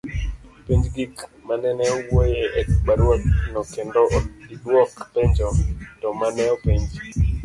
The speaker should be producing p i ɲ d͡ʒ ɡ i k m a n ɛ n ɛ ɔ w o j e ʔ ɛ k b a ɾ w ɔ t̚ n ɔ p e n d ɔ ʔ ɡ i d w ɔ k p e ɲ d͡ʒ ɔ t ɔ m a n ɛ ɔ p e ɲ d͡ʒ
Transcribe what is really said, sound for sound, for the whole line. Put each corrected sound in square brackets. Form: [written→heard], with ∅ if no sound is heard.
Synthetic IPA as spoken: p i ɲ d͡ʒ ɡ i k m a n ɛ n ɛ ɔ w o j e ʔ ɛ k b a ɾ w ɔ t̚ n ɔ [p→k] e n d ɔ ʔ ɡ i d w ɔ k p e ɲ d͡ʒ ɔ t ɔ m a n ɛ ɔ p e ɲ d͡ʒ